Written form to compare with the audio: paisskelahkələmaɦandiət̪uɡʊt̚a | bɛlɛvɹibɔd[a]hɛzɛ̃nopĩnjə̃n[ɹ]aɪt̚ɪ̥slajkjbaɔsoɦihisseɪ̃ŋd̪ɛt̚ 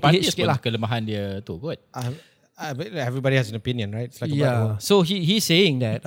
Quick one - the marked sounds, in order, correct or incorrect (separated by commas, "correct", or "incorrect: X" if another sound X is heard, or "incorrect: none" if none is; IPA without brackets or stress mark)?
incorrect: i, correct